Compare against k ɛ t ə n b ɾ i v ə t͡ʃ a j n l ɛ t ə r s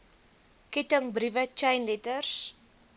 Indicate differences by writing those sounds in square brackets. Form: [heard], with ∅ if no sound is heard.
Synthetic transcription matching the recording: k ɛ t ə [ŋ] b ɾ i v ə t͡ʃ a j n l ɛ t ə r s